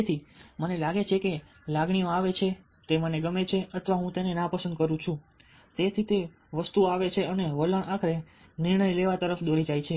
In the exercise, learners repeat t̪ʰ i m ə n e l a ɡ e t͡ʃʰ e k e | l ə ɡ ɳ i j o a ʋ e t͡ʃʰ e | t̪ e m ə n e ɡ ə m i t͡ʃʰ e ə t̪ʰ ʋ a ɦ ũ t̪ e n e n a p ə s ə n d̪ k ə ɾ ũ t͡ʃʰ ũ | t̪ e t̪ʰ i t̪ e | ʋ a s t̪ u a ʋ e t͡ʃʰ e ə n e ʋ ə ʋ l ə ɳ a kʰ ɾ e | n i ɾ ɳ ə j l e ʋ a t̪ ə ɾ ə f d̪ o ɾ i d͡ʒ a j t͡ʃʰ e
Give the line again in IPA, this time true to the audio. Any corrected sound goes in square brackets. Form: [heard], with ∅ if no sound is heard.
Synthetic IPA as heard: t̪ʰ i m ə n e l a ɡ e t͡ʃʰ e k e | l [a] ɡ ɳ i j o a ʋ e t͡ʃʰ e | t̪ e m ə n e ɡ ə m [e] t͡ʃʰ e ə t̪ʰ ʋ a ɦ ũ t̪ e n e n a p ə s ə n d̪ k ə ɾ ũ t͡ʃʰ ũ | t̪ e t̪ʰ i t̪ e | ʋ [ə] s t̪ u a ʋ e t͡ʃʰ e ə n e ʋ ə [∅] l ə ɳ a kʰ ɾ e | n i ɾ ɳ ə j l e ʋ a t̪ ə ɾ ə f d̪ o ɾ i d͡ʒ a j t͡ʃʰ e

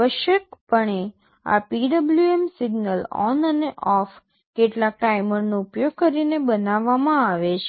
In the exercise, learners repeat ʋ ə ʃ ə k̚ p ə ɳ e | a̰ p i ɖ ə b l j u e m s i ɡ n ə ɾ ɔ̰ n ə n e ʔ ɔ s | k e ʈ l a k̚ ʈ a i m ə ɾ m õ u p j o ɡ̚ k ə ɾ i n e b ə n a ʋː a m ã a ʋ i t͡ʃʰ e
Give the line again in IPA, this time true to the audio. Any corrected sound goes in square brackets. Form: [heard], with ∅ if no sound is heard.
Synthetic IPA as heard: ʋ ə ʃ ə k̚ p ə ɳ e | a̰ p i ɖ ə b l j u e m s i ɡ n ə [l] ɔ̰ n ə n e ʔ ɔ [f] | k e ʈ l a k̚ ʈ a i m ə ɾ [n] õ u p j o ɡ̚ k ə ɾ i n e b ə n a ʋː a m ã a ʋ [e] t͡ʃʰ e

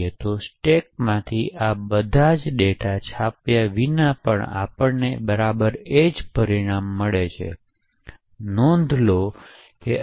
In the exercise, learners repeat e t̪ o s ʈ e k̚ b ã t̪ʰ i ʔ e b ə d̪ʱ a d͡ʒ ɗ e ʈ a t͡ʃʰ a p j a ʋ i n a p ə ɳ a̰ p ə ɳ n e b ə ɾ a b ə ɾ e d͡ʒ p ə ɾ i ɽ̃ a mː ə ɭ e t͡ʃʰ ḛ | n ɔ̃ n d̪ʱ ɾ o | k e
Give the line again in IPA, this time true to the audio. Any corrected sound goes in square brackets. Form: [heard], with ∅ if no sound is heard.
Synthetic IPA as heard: e t̪ o s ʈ e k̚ [m] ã t̪ʰ i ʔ [a] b ə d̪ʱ a d͡ʒ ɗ e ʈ a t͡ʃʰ a p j a ʋ i n a p ə ɳ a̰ p ə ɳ n e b ə ɾ a b ə ɾ e d͡ʒ p ə ɾ i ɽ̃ a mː ə ɭ e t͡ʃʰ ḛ | n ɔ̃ n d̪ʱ [l] o | k e

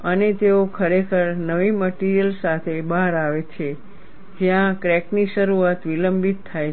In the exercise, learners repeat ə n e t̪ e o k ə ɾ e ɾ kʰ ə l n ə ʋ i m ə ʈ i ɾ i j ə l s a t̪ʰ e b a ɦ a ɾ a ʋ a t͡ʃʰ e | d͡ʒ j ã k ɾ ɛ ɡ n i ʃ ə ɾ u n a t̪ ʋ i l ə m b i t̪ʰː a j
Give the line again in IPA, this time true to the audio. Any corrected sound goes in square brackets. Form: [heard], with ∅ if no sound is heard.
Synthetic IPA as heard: ə n e t̪ e o [kʰ] ə ɾ e [∅] kʰ ə [ɾ] n ə ʋ i m ə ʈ i ɾ i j ə l s a t̪ʰ e b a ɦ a ɾ a ʋ [e] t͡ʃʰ e | d͡ʒ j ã k ɾ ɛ [k] n i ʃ ə ɾ u [∅] a t̪ ʋ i l ə m b i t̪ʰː a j

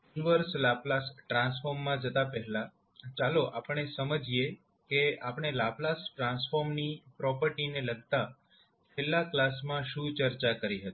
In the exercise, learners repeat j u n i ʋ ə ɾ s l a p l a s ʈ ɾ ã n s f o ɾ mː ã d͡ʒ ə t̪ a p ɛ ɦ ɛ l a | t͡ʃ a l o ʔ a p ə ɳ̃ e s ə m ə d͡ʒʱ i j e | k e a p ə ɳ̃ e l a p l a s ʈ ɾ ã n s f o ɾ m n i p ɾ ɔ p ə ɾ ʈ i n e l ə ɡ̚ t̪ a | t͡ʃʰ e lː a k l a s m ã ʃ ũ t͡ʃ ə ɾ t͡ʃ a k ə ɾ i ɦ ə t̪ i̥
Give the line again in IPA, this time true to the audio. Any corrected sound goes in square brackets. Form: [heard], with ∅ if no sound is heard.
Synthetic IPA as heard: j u n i ʋ ə ɾ s l a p l a s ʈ ɾ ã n s f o ɾ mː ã d͡ʒ ə t̪ a p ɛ ɦ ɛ l a | t͡ʃ a l o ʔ a p ə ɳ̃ e s ə m ə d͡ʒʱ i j e | k e a p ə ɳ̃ e l a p l a s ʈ ɾ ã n s f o ɾ m n i p ɾ ɔ p ə ɾ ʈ i n e l ə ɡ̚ t̪ a | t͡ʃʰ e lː a k l a s m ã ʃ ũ t͡ʃ ə ɾ t͡ʃ a k ə ɾ i ɦ ə t̪ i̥

